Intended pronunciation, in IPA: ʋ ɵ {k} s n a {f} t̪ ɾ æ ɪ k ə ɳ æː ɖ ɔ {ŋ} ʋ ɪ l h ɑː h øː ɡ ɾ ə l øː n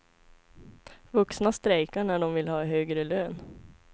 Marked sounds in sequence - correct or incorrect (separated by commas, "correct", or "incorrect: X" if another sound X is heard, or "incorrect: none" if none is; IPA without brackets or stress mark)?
correct, incorrect: s, incorrect: m